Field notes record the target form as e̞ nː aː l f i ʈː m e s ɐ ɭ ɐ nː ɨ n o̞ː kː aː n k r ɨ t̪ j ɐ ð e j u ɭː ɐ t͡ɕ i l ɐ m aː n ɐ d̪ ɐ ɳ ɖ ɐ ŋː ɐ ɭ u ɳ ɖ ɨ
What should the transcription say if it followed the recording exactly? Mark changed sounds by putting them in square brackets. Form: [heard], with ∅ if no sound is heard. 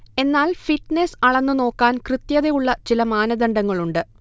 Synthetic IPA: e̞ nː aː l f i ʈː [n] e s ɐ ɭ ɐ nː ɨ n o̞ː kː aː n k r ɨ t̪ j ɐ ð e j u ɭː ɐ t͡ɕ i l ɐ m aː n ɐ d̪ ɐ ɳ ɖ ɐ ŋː ɐ ɭ u ɳ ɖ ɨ